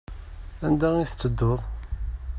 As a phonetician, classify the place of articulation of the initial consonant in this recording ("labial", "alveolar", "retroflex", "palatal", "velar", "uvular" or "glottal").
alveolar